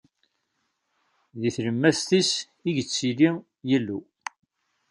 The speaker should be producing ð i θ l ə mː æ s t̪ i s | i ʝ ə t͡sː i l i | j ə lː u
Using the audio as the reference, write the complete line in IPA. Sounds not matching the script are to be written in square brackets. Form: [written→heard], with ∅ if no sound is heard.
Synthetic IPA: ð i θ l ə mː æ s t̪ i s | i ʝ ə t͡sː i l i | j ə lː u